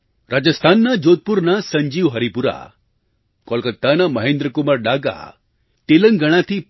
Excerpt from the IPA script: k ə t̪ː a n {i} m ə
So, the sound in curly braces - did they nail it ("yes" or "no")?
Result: no